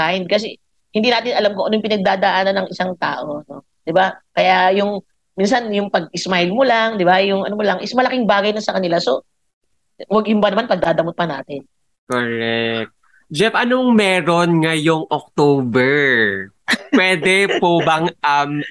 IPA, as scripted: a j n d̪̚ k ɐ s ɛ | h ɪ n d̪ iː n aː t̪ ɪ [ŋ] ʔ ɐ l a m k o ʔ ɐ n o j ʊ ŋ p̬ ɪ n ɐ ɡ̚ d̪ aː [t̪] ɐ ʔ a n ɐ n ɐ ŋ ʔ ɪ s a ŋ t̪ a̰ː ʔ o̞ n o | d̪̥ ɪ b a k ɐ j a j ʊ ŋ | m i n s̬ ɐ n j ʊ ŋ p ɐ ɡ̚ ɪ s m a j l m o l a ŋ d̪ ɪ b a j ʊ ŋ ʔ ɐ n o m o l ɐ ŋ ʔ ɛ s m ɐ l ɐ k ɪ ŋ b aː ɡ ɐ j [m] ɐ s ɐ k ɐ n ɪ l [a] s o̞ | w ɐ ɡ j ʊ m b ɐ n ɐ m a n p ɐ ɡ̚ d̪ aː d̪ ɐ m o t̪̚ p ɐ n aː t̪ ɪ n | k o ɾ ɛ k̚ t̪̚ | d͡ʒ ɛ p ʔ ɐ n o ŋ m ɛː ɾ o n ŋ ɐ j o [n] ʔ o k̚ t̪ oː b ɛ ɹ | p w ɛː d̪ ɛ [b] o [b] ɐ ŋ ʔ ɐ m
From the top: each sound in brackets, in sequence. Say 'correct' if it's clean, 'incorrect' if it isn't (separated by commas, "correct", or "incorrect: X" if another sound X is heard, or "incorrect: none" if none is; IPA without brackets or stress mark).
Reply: incorrect: n, incorrect: d̪, incorrect: n, correct, incorrect: ŋ, incorrect: p, correct